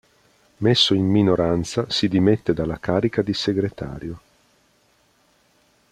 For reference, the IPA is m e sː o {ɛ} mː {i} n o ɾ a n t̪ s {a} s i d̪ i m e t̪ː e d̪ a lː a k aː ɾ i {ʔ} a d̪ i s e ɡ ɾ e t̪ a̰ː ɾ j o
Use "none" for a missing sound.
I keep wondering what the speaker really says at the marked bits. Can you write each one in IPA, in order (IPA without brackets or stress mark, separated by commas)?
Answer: i, i, a, k